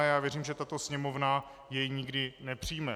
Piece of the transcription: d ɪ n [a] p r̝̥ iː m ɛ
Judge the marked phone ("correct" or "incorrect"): incorrect